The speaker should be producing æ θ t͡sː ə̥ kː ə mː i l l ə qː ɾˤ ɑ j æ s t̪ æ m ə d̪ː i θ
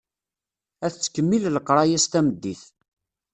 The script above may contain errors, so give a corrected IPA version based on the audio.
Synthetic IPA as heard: æ θ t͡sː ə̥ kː ə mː i l l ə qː ɾˤ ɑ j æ s t̪ æ m ə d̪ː i θ